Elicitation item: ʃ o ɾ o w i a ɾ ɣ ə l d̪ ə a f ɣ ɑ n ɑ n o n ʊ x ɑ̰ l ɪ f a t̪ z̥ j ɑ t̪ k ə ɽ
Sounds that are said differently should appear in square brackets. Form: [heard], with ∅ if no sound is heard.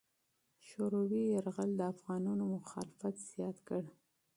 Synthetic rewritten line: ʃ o ɾ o w i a ɾ ɣ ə l d̪ ə a f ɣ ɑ n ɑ n o [m] ʊ x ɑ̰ l ɪ f a t̪ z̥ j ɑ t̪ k ə ɽ